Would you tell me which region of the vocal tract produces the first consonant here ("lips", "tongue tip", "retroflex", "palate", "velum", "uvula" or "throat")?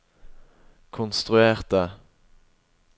velum